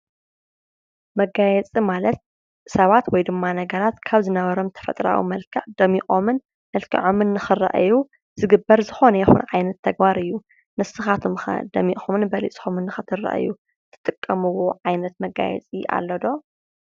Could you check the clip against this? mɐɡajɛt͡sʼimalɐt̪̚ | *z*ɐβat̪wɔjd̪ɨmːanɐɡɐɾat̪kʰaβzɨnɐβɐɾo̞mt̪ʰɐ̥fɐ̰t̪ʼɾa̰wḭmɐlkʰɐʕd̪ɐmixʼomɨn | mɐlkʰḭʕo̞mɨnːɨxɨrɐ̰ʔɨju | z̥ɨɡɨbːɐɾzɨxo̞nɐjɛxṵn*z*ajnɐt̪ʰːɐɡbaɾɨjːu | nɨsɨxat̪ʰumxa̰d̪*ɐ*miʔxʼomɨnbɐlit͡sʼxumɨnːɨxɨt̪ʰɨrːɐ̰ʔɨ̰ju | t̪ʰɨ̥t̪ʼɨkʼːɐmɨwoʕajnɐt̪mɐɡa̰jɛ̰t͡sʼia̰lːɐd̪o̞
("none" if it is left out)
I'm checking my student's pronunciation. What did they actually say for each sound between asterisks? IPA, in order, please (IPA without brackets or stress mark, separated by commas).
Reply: s, ʕ, ɐ